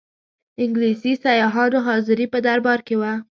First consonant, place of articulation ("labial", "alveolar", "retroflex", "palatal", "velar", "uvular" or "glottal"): velar